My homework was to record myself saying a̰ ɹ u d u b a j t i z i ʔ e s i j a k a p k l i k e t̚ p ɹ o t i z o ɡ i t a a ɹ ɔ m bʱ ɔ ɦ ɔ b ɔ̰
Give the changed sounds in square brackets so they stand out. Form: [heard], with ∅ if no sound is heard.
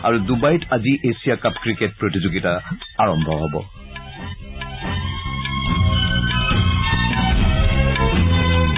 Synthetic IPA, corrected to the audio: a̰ ɹ u d u b a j t [a] z i ʔ e s i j a k a p k [ɹ] i k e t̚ p ɹ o t i z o ɡ i t a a ɹ ɔ m bʱ ɔ ɦ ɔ b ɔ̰